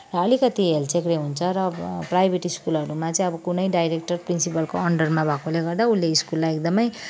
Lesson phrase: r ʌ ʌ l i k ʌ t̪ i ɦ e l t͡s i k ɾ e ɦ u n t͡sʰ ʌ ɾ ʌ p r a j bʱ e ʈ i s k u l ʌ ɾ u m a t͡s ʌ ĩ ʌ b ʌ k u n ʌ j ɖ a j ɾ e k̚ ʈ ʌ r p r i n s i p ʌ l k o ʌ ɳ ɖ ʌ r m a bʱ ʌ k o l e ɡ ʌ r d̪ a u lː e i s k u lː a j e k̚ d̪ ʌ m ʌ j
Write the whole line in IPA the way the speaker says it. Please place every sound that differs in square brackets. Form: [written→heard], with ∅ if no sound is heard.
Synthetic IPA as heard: r ʌ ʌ l i k ʌ t̪ i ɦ e l t͡s [i→e] k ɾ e ɦ u n t͡sʰ ʌ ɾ ʌ p r a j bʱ e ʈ i s k u l ʌ ɾ u m a t͡s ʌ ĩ ʌ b ʌ k u n ʌ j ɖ a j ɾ e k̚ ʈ ʌ r p r i n s i p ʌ l k o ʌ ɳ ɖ ʌ r m a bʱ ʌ k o l e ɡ ʌ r d̪ a u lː e i s k u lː a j e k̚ d̪ ʌ m ʌ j